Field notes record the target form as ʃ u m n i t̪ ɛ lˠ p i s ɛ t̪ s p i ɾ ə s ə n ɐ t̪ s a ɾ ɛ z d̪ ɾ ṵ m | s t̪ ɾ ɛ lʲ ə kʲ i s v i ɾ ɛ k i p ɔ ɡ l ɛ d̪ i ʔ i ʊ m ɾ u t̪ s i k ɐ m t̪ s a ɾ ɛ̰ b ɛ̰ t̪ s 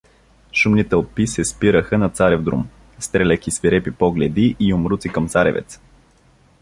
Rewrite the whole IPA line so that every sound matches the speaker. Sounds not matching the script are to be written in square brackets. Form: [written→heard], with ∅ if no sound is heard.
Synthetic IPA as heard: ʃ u m n i t̪ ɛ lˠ p i s ɛ [t̪→∅] s p i ɾ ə [s→x] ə n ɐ t̪ s a ɾ ɛ [z→v] d̪ ɾ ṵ m | s t̪ ɾ ɛ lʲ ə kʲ i s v i ɾ ɛ [k→p] i p ɔ ɡ l ɛ d̪ i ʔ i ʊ m ɾ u t̪ s i k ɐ m t̪ s a ɾ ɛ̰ [b→v] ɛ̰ t̪ s

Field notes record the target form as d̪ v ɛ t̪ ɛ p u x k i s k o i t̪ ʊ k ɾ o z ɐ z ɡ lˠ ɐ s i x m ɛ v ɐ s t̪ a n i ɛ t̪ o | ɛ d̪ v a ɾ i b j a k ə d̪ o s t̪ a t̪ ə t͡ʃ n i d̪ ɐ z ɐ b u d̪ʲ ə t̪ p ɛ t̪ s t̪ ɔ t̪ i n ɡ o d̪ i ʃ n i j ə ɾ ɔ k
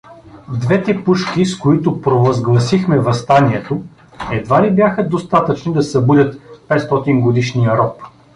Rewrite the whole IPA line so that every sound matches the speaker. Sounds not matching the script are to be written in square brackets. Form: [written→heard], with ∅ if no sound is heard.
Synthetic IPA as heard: d̪ v ɛ t̪ ɛ p u [x→ʃ] k i s k o i t̪ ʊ [k→p] ɾ o [z→v] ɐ z ɡ lˠ ɐ s i x m ɛ v ɐ s t̪ a n i ɛ t̪ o | ɛ d̪ v a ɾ i b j a [k→x] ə d̪ o s t̪ a t̪ ə t͡ʃ n i d̪ ɐ [z→s] ɐ b u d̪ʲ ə t̪ p ɛ t̪ s t̪ ɔ t̪ i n ɡ o d̪ i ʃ n i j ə ɾ ɔ [k→p]

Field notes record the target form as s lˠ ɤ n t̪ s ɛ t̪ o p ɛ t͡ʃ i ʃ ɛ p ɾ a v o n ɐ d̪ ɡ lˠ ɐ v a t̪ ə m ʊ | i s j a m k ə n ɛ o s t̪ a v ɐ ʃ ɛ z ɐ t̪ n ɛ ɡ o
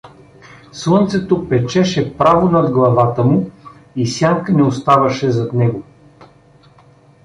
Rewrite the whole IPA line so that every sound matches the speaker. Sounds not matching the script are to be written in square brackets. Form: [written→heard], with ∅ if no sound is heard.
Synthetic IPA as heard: s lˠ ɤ n t̪ s ɛ t̪ o p ɛ t͡ʃ [i→ɛ] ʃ ɛ p ɾ a v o n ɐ d̪ ɡ lˠ ɐ v a t̪ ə m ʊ | i s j a [m→ŋ] k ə n ɛ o s t̪ a v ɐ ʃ ɛ z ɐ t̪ n ɛ ɡ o

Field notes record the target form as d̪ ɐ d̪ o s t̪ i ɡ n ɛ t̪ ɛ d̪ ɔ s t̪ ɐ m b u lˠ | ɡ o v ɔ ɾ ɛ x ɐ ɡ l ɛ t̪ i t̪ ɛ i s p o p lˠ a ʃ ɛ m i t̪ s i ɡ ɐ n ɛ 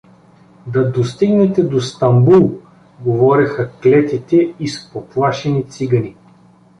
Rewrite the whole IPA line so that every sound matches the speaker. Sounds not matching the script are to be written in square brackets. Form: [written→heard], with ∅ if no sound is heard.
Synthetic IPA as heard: d̪ ɐ d̪ o s t̪ i ɡ n ɛ t̪ ɛ d̪ [ɔ→o] s t̪ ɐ m b u lˠ | ɡ o v ɔ ɾ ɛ x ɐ [ɡ→k] l ɛ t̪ i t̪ ɛ i s p o p lˠ a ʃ ɛ [m→n] i t̪ s i ɡ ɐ n [ɛ→i]

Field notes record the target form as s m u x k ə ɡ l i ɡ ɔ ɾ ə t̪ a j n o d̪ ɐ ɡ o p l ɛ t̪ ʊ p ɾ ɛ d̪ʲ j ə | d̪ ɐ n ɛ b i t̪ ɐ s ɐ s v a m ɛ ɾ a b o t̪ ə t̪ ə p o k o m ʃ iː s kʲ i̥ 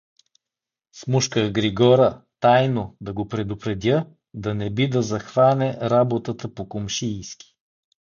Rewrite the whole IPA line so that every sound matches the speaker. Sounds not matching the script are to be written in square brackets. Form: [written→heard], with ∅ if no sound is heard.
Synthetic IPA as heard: s m u [x→ʃ] k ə ɡ [l→ɾ] i ɡ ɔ ɾ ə t̪ a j n o d̪ ɐ ɡ o p [l→ɾ] ɛ [t̪→d̪] ʊ p ɾ ɛ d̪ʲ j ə | d̪ ɐ n ɛ b i [t̪→d̪] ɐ [s→z] ɐ [s→x] v a [m→n] ɛ ɾ a b o t̪ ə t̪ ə p o k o m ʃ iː s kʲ i̥

